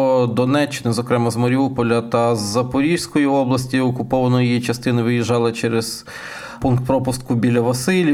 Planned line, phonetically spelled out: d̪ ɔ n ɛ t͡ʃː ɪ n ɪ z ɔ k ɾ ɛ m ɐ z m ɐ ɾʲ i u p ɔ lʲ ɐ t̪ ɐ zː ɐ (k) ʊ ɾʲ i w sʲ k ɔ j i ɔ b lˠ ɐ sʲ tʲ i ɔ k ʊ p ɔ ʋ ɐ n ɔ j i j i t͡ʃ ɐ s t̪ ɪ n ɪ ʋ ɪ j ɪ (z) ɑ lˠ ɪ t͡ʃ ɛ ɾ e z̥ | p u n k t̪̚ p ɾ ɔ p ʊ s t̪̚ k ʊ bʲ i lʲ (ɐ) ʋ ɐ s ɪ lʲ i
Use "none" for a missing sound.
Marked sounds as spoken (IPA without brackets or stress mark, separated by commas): p, ʒ, ɐ